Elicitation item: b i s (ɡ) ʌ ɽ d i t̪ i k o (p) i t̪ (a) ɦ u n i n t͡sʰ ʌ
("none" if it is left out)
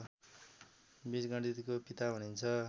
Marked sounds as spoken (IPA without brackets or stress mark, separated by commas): ɡ, p, a